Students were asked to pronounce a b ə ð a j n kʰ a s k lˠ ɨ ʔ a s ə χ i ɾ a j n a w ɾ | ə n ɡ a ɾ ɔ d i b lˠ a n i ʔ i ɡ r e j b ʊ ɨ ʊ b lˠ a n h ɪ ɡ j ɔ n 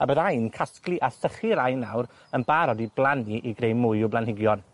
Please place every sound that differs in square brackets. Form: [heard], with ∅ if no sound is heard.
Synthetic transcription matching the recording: a b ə ð a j n kʰ a s k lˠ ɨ ʔ a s ə χ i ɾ a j n a w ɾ | ə n [b] a ɾ ɔ d i b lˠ a n i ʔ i ɡ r e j [m] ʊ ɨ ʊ b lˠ a n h ɪ ɡ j ɔ n

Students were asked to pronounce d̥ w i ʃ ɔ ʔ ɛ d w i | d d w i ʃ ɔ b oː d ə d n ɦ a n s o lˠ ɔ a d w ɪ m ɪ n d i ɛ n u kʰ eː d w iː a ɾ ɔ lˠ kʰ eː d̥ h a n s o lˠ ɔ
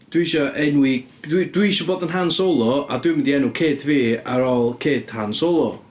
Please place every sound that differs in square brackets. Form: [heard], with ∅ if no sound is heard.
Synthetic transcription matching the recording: d̥ w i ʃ ɔ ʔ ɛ [n] w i | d d w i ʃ ɔ b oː d ə [∅] n ɦ a n s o lˠ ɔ a d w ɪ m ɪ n d i ɛ n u kʰ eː d [v] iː a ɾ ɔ lˠ kʰ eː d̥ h a n s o lˠ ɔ

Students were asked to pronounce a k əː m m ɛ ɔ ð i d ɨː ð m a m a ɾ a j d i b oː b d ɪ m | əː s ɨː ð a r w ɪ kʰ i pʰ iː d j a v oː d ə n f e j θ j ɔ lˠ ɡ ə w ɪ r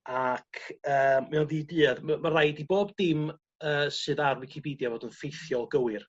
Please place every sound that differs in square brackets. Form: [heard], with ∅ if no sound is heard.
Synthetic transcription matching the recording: a [kʰ] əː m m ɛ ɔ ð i d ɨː ð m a m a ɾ a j d i b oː b d ɪ m | əː s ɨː ð a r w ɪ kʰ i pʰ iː d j a v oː d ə n f e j θ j ɔ lˠ ɡ ə w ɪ r

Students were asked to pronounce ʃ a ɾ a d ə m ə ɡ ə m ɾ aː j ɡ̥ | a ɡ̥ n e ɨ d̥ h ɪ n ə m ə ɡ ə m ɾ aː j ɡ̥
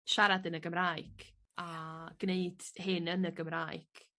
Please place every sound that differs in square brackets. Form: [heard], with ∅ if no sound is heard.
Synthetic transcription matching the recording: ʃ a ɾ a d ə [n] ə ɡ ə m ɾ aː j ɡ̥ | a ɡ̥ n e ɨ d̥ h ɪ n ə [n] ə ɡ ə m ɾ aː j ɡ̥

